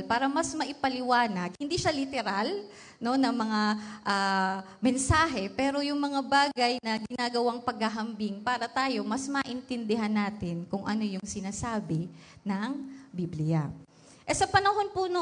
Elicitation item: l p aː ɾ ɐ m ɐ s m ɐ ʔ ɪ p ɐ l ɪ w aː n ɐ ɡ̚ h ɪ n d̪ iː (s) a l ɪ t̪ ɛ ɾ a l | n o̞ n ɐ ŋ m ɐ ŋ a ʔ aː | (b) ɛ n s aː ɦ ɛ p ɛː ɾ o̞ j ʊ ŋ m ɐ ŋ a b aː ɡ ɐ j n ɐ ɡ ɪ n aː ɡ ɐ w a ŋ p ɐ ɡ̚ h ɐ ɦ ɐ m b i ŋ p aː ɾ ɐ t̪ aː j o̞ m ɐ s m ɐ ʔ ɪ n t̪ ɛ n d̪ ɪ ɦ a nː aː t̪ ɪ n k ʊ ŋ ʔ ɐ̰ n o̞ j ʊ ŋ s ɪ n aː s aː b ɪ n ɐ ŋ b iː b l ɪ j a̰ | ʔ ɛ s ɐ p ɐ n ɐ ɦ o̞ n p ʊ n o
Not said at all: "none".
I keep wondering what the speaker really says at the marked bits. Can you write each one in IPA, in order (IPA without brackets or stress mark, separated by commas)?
ʃ, m